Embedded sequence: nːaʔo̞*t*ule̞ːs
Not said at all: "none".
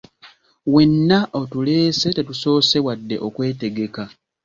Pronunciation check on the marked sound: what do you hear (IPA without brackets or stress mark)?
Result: t